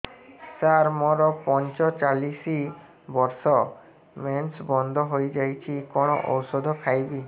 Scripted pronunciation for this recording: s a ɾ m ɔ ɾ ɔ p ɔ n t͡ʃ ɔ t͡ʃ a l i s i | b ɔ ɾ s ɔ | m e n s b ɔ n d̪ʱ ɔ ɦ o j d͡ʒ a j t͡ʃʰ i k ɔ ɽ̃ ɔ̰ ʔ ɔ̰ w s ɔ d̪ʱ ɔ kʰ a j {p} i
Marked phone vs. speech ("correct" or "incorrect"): incorrect